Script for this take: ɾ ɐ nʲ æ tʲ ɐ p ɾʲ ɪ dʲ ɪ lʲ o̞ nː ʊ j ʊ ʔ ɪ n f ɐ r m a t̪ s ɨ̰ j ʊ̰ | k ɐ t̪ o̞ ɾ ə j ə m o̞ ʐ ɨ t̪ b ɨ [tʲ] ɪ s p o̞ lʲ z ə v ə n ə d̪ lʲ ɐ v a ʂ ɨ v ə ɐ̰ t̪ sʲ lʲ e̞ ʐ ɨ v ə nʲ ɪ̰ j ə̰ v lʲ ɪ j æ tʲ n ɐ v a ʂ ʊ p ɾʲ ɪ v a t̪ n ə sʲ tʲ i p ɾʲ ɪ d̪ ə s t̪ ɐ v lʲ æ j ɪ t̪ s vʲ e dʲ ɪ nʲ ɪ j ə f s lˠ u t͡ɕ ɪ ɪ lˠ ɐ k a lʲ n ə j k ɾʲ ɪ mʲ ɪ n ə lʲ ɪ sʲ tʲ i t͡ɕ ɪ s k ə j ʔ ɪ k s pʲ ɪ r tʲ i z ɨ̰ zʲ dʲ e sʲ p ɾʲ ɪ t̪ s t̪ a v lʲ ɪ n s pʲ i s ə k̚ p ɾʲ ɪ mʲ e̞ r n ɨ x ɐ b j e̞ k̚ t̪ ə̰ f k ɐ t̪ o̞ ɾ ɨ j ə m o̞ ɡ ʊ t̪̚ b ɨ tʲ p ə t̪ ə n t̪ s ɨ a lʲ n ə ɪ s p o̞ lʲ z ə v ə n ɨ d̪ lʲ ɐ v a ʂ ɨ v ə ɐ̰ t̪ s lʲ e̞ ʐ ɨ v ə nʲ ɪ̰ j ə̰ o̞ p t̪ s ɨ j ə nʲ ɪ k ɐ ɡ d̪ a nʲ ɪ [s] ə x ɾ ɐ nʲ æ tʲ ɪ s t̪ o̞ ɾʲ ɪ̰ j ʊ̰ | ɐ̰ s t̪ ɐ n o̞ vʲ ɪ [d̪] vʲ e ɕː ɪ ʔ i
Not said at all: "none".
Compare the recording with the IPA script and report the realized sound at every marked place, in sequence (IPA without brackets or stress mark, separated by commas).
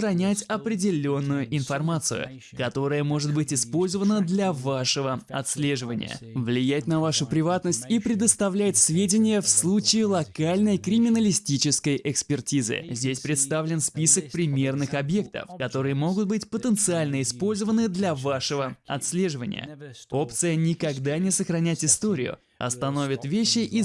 tʲ, s, t̪